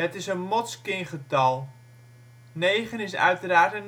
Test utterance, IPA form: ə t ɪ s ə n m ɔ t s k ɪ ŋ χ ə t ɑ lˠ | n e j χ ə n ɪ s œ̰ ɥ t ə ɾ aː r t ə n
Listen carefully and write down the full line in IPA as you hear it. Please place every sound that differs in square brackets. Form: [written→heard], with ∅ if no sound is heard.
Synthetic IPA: ə t ɪ s ə n m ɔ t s k ɪ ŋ χ ə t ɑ lˠ | n e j χ ə n ɪ s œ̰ ɥ t ə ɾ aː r t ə n